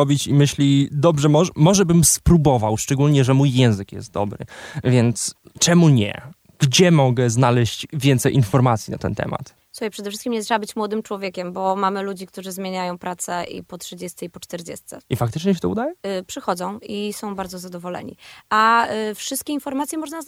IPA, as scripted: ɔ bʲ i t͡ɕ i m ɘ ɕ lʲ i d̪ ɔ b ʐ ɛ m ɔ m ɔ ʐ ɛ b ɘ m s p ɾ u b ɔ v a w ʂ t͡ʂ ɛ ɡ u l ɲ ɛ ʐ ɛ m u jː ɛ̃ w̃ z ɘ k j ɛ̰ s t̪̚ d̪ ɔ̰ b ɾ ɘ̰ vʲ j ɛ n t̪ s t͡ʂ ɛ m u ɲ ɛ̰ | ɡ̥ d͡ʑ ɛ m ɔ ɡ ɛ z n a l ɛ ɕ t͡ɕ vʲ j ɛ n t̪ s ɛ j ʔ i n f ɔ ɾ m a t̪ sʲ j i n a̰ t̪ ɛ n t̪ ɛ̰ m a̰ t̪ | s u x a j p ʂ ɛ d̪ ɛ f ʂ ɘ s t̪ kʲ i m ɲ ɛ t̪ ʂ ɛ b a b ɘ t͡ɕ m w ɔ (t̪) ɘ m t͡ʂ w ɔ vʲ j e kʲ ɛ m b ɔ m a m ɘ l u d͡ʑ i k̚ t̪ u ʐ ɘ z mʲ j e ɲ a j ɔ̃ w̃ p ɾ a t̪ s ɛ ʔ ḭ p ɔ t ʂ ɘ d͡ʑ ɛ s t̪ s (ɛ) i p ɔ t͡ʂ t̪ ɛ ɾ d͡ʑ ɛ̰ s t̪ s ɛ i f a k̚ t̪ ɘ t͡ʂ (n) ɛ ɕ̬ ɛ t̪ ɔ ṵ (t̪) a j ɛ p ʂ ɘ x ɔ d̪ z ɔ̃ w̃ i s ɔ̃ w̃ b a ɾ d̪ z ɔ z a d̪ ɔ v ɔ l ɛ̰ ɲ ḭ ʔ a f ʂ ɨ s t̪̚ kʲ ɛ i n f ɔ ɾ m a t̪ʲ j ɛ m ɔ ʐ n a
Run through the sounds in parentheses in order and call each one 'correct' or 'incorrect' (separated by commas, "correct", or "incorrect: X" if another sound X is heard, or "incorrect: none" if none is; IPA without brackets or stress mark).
incorrect: d̪, correct, incorrect: ɲ, incorrect: d̪